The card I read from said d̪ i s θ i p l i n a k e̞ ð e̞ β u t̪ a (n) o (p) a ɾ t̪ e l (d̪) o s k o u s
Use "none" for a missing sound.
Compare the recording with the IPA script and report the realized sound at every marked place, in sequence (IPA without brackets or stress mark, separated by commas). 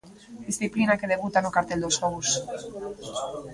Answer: n, k, d̪